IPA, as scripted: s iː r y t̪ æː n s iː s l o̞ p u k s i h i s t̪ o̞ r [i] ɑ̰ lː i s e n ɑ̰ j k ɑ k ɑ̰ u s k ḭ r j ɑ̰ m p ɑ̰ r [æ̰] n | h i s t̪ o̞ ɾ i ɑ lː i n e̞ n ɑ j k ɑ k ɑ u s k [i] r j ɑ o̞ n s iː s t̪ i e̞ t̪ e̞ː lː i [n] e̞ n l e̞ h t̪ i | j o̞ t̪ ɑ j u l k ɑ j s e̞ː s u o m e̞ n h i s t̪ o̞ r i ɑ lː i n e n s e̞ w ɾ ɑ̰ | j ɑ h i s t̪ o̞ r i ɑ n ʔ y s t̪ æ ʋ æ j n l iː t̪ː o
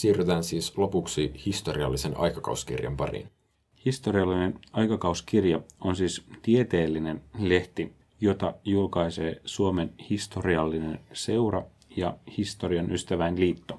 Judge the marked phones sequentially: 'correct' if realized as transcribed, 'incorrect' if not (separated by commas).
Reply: correct, incorrect, correct, correct